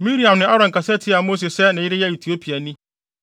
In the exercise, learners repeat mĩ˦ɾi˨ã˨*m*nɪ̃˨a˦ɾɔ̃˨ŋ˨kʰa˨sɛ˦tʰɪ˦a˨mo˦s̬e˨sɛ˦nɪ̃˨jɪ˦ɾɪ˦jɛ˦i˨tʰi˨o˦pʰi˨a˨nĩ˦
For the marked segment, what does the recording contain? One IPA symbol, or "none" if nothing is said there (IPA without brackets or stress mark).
m